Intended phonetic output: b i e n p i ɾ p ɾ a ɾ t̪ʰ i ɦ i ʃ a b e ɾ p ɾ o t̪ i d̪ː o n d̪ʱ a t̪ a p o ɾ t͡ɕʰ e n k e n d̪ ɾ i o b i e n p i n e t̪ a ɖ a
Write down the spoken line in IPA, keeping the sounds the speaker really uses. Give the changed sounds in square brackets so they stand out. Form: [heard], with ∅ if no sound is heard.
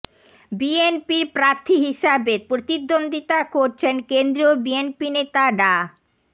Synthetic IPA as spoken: b i e n p i ɾ p ɾ a ɾ t̪ʰ i ɦ i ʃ a b e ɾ p ɾ o t̪ i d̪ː o n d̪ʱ [i] t̪ a [k] o ɾ t͡ɕʰ e n k e n d̪ ɾ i o b i e n p i n e t̪ a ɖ a